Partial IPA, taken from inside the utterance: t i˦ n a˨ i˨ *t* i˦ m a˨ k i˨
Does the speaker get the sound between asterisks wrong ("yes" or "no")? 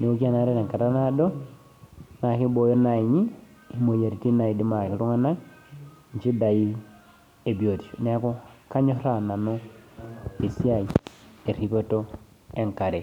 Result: yes